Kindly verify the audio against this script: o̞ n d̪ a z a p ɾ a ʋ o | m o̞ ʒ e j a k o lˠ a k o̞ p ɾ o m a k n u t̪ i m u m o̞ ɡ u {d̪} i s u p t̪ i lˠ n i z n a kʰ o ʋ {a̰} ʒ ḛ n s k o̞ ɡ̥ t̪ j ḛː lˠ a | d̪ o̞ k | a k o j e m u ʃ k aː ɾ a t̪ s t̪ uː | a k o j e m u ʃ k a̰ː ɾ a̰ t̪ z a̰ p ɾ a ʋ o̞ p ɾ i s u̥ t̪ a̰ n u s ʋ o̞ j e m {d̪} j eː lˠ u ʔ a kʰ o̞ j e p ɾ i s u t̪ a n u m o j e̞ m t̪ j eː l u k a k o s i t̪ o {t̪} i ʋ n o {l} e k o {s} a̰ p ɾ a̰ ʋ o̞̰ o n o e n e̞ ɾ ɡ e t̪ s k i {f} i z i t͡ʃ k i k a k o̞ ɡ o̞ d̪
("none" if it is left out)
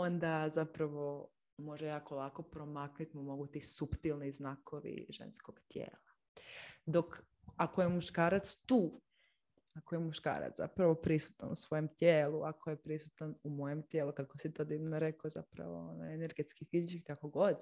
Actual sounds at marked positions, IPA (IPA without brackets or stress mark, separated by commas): t̪, ḭ, t̪, d̪, ɾ, z, f